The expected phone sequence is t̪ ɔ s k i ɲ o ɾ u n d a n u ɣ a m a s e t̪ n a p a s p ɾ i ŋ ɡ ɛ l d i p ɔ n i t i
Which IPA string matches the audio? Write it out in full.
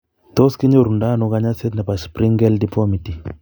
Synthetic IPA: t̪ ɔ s k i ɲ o ɾ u n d a n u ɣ a ɲ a s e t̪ n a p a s p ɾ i ŋ ɡ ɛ l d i p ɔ m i t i